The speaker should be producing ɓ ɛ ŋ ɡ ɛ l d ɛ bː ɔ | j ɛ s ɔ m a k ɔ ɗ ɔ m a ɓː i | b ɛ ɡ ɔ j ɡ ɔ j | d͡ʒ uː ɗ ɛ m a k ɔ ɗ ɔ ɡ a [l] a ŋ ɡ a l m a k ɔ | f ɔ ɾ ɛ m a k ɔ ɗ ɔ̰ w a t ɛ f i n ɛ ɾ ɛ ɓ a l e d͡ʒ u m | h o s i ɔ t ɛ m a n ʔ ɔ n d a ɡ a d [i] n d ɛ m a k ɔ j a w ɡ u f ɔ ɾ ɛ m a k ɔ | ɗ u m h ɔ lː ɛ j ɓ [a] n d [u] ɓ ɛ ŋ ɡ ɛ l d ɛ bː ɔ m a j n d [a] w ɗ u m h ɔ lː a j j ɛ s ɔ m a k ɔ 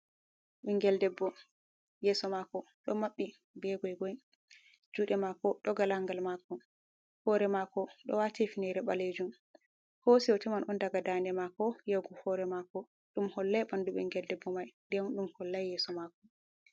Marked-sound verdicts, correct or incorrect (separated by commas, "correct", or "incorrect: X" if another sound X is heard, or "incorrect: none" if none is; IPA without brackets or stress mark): correct, incorrect: a, correct, correct, incorrect: ɛ